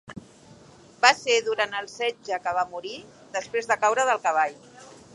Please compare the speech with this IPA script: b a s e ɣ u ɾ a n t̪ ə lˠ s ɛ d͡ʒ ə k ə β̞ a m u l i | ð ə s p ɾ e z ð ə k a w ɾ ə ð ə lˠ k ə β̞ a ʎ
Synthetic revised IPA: b a s e ð u ɾ a n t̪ ə lˠ s ɛ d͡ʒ ə k ə β̞ a m u ɾ i | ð ə s p ɾ e z ð ə k a w ɾ ə ð ə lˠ k ə β̞ a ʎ